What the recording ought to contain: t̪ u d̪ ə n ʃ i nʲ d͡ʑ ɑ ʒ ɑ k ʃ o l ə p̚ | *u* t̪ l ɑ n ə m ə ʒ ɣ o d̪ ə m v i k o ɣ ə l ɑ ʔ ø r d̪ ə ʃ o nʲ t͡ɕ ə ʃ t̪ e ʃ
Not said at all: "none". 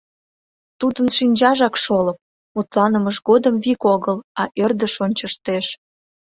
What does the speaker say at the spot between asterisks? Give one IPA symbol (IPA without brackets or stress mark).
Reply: u